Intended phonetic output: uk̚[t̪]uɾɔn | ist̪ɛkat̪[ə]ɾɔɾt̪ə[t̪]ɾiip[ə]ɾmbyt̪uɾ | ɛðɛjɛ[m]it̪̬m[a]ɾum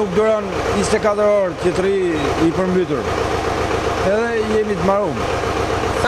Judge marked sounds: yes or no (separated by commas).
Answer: no, yes, yes, yes, yes, yes